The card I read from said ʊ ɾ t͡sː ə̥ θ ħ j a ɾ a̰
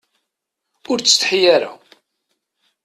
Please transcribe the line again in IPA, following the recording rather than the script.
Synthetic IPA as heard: ʊ ɾ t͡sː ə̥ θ ħ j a ɾ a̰